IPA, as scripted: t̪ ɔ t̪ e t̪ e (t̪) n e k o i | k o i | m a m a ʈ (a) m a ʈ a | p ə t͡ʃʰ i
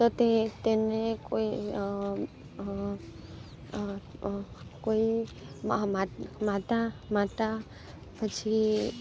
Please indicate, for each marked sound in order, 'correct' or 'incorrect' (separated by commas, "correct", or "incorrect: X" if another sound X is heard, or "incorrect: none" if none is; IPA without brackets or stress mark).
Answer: incorrect: none, correct